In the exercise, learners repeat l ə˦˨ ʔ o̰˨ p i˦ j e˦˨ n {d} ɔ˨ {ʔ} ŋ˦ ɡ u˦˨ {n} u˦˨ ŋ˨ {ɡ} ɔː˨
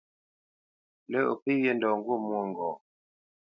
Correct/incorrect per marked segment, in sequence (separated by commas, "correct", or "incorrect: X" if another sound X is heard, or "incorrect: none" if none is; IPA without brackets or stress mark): correct, incorrect: none, incorrect: m, correct